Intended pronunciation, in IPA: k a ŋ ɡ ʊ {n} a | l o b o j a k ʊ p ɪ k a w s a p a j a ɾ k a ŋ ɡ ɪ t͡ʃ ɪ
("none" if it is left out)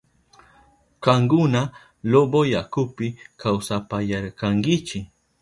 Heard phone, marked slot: n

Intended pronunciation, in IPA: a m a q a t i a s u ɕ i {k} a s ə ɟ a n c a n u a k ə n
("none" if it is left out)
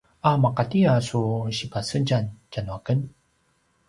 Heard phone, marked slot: p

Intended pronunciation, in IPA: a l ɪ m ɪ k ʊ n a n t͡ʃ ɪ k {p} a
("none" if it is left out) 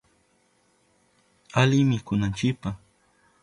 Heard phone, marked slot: p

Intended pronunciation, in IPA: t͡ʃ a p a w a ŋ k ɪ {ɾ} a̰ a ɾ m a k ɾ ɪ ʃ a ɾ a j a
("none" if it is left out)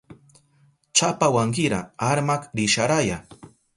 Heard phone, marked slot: ɾ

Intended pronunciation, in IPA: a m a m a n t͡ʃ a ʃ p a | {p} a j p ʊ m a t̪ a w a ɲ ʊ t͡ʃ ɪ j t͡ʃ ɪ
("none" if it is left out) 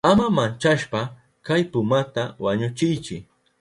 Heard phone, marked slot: k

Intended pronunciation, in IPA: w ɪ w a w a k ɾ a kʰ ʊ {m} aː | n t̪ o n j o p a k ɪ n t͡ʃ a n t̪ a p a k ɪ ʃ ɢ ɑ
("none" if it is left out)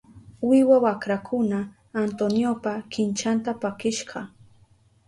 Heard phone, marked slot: n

